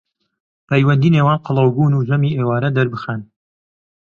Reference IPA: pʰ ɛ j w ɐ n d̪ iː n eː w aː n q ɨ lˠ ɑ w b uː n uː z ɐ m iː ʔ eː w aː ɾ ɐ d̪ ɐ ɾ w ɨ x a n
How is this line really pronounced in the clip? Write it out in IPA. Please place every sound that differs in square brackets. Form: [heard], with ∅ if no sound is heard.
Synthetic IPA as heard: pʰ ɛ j w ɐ n d̪ iː n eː w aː n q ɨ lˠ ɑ w b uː n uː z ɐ m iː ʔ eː w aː ɾ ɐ d̪ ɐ ɾ [b] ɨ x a n